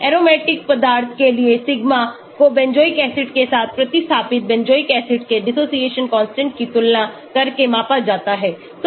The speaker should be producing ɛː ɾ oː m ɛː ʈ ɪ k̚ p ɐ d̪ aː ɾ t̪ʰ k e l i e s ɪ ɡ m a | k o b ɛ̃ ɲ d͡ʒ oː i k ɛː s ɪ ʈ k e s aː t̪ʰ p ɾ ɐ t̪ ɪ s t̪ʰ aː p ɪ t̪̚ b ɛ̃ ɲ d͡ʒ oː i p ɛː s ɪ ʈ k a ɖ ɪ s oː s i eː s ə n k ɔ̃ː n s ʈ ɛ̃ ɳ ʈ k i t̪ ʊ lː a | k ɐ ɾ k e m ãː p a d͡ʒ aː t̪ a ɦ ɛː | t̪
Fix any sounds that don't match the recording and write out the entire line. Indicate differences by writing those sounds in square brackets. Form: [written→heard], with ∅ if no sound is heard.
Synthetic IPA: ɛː ɾ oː m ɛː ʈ ɪ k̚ p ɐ d̪ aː ɾ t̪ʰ k e l i e s ɪ ɡ m a | k o b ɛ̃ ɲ d͡ʒ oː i k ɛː s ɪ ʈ k e s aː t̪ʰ p ɾ ɐ t̪ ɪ s t̪ʰ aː p ɪ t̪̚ b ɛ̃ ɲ d͡ʒ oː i [p→k] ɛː s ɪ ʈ k [a→e] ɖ ɪ s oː s i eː [s→ʃ] ə n k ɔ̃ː n s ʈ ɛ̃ ɳ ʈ k i t̪ ʊ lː a | k ɐ ɾ k e m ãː p a d͡ʒ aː t̪ a ɦ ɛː | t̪